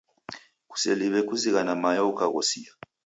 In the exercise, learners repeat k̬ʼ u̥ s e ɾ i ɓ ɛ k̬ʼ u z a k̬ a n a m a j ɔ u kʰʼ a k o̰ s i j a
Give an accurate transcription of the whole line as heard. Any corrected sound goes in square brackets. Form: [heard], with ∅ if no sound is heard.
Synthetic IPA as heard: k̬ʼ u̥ s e [l] i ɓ ɛ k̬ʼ u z [i] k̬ a n a m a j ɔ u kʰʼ a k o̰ s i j a